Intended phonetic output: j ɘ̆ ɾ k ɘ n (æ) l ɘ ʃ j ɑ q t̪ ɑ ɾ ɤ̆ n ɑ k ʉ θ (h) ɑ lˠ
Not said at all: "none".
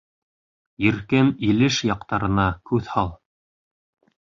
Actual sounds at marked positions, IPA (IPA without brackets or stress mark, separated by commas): i, h